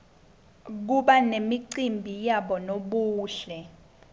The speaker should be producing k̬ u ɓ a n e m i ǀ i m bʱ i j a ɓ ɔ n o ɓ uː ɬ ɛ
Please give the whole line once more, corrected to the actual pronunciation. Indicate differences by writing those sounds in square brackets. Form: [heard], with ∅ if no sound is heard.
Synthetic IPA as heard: k̬ u ɓ a n e m i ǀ i m bʱ i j a ɓ ɔ n o ɓ uː ɬ ɛ